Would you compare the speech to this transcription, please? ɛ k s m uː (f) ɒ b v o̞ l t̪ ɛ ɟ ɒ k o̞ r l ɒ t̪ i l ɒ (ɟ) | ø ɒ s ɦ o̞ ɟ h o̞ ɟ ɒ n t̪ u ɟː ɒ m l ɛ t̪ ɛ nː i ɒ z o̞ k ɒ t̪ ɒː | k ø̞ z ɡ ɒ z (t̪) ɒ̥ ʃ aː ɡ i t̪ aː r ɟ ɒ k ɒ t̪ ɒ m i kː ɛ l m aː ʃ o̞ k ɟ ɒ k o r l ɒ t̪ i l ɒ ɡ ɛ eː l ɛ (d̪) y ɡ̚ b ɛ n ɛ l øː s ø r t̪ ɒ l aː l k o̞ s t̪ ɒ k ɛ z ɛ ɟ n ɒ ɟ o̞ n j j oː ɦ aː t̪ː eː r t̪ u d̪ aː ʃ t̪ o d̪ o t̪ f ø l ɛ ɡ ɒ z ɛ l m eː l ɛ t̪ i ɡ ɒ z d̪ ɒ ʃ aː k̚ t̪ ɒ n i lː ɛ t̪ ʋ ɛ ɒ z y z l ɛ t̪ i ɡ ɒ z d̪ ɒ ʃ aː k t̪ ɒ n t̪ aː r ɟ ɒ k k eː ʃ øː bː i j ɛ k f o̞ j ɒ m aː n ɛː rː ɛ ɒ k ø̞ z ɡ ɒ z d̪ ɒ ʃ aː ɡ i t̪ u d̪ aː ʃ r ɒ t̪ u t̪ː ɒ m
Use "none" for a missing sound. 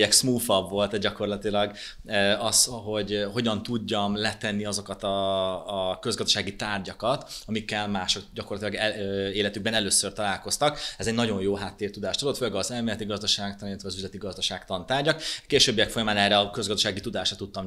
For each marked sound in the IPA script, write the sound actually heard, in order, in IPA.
f, ɡ, d̪, t̪

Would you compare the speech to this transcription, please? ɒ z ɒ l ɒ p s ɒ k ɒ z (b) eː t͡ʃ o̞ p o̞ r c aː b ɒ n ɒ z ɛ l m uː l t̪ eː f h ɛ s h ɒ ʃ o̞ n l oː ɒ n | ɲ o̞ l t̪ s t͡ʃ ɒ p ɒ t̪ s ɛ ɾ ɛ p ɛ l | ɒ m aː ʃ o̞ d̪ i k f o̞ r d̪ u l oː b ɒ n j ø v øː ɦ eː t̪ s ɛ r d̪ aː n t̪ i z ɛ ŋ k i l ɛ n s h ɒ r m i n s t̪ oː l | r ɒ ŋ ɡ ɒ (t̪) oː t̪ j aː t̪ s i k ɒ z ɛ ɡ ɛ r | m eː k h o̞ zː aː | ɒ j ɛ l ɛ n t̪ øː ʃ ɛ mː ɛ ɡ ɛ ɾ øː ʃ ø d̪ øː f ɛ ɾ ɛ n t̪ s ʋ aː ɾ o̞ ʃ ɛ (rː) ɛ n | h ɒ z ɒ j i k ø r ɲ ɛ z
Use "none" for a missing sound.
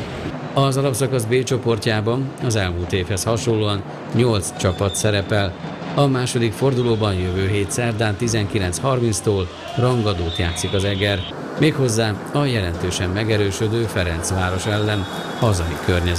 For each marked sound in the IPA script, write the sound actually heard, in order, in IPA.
b, d̪, lː

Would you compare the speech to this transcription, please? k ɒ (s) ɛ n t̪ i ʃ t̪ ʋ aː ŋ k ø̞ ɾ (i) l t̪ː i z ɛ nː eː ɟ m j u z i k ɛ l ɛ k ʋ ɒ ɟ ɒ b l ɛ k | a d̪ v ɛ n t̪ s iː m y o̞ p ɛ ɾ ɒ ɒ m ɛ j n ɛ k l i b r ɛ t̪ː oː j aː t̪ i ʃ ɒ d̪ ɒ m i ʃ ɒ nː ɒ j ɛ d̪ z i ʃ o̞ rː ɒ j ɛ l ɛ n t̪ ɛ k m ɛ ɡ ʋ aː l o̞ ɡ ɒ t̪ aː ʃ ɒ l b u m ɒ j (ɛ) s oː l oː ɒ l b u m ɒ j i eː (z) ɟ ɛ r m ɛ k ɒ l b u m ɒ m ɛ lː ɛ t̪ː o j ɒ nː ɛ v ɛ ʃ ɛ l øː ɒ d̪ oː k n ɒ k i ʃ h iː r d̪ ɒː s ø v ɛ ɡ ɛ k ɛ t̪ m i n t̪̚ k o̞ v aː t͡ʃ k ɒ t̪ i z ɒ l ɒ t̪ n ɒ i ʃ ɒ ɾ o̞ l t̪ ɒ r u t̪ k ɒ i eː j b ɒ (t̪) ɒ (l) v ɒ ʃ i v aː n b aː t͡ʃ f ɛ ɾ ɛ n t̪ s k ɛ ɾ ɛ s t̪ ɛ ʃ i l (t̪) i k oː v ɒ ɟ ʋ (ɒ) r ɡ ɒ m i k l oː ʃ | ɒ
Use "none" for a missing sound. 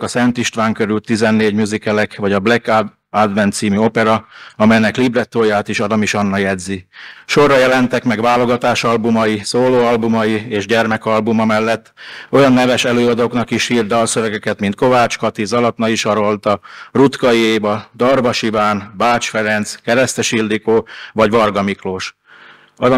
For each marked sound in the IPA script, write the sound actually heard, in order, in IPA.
s, y, i, ʒ, d̪, r, d̪, ɒ

